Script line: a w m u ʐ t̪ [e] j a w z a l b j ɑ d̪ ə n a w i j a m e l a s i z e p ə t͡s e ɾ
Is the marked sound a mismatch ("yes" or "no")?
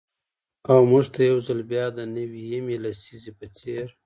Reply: yes